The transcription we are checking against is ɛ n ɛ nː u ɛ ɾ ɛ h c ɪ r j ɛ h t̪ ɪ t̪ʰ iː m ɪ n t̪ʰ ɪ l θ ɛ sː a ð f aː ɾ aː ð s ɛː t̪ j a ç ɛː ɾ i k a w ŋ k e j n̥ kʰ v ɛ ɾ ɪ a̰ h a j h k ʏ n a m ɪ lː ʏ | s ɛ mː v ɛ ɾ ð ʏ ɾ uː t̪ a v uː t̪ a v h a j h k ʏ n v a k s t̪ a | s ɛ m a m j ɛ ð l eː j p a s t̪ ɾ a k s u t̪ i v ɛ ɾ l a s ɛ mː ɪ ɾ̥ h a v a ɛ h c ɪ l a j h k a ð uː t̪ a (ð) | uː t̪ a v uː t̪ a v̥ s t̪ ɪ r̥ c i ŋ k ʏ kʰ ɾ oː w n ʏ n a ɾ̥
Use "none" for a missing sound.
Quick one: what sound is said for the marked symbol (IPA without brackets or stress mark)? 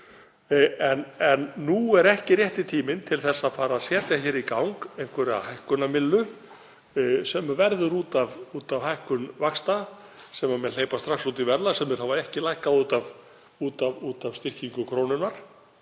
v